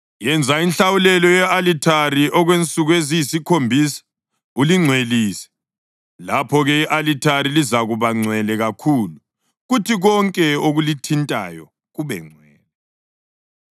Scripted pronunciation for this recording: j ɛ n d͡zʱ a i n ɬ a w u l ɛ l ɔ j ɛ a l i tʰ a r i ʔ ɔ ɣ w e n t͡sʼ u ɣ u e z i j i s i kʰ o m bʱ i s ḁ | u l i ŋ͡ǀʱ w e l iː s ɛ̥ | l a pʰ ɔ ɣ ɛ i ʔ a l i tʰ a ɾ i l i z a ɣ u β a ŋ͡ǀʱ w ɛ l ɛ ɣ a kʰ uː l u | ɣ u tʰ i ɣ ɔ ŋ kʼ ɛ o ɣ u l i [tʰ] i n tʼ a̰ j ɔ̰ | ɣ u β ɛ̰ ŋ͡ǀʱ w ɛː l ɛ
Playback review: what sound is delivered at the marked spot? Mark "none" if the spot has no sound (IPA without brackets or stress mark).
tʰ